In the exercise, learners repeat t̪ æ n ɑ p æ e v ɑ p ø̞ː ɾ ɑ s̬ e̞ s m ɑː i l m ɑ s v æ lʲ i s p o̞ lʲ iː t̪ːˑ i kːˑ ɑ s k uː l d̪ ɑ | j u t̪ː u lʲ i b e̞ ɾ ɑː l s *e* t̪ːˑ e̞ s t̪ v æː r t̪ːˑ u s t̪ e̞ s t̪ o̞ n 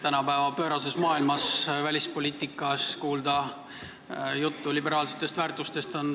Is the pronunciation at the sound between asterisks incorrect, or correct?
correct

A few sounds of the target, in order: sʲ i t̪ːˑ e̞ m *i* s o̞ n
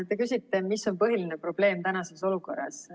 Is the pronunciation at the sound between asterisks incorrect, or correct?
correct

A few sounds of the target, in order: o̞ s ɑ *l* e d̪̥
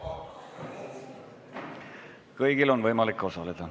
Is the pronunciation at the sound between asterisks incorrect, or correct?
correct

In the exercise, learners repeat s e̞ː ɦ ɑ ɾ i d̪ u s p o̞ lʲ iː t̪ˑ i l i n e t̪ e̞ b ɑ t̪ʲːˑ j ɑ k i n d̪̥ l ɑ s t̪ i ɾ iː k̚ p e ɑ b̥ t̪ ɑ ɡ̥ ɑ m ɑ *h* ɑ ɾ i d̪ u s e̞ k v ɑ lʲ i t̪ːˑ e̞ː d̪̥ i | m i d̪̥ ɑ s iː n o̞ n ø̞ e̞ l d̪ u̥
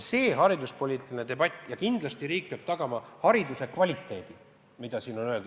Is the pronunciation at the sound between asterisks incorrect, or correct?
correct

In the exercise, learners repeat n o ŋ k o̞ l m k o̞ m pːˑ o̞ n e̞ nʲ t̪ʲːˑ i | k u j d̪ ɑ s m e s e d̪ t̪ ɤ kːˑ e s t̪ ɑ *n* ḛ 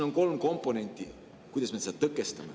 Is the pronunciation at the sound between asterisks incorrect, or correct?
incorrect: m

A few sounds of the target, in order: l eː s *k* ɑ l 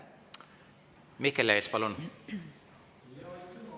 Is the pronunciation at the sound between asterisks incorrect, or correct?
incorrect: p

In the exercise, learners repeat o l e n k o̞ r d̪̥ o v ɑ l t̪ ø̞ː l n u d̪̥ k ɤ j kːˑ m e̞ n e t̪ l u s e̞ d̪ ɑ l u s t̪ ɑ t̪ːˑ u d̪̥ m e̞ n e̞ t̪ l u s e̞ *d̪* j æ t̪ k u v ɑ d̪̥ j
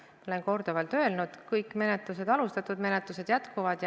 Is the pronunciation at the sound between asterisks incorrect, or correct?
correct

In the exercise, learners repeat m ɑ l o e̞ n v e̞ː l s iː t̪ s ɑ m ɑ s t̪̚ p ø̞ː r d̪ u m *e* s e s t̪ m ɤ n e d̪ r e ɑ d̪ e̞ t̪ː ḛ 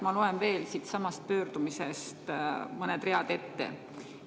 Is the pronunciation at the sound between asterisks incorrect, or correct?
incorrect: i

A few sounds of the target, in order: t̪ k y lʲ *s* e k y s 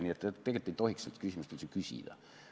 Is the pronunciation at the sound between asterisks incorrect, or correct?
correct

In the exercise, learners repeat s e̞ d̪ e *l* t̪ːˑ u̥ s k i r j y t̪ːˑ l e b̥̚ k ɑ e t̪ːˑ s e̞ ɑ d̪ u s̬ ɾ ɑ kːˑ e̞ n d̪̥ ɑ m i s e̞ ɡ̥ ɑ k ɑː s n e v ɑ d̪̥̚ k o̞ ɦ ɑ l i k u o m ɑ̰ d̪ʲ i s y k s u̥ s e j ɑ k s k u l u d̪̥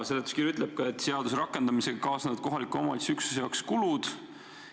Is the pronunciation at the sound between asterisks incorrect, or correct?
incorrect: none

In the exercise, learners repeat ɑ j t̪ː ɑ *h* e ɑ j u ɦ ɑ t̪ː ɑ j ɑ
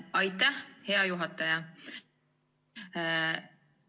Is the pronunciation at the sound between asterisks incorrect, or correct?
correct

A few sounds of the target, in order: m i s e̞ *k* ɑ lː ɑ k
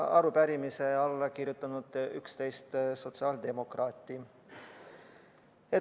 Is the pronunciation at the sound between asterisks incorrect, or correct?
incorrect: none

